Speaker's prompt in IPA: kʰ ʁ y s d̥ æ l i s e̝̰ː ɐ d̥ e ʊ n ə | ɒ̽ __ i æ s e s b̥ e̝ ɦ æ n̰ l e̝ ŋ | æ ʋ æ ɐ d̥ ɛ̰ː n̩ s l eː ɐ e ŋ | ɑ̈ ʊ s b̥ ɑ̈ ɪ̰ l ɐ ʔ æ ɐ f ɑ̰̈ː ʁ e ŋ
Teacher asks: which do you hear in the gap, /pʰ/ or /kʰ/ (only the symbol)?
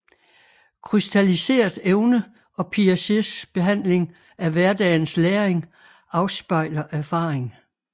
pʰ